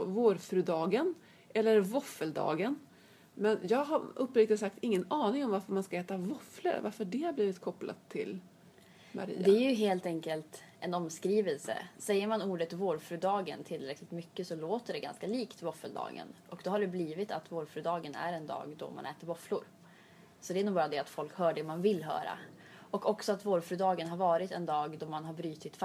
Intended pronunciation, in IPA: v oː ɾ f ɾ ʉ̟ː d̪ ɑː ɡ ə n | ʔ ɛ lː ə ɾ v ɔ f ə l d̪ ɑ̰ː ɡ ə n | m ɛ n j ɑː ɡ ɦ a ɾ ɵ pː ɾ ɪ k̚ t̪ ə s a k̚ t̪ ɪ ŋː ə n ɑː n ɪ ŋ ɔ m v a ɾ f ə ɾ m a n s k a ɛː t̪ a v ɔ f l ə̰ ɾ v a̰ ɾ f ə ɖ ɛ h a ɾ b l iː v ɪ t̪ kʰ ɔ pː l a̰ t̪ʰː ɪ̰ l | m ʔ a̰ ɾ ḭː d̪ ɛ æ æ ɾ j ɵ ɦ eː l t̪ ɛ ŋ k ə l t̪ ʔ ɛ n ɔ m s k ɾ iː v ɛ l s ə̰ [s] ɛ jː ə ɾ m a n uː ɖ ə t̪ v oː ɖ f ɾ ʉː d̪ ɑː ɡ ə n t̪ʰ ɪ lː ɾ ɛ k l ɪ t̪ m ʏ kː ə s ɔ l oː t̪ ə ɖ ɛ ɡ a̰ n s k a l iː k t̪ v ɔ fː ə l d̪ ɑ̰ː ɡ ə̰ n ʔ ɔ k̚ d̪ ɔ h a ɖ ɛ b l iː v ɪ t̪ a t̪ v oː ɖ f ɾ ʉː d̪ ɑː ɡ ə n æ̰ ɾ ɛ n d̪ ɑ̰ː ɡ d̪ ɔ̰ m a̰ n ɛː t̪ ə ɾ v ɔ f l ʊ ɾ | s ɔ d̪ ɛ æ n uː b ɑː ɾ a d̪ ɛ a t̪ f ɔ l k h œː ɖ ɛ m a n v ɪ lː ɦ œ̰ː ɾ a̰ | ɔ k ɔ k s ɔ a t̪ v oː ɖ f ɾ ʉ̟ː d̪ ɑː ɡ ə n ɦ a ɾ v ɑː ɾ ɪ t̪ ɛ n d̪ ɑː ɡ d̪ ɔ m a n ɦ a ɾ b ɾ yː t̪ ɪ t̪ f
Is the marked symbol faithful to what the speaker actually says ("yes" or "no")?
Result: yes